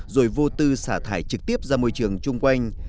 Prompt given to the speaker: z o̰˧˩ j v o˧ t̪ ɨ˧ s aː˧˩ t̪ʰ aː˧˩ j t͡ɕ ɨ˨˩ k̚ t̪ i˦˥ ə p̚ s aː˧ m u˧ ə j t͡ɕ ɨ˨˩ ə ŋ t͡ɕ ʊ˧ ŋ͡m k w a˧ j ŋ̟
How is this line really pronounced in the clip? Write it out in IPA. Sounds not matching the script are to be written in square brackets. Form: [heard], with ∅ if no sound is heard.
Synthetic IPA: z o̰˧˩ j v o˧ t̪ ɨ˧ s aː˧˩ t̪ʰ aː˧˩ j t͡ɕ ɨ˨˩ k̚ t̪ i˦˥ ə p̚ [z] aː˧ m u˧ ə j t͡ɕ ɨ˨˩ ə ŋ t͡ɕ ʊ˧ ŋ͡m k w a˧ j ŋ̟